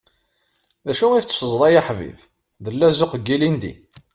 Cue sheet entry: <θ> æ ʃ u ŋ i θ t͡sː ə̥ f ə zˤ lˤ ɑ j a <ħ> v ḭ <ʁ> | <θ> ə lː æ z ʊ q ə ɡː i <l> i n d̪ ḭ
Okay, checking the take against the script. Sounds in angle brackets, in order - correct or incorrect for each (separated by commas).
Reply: incorrect, correct, incorrect, incorrect, correct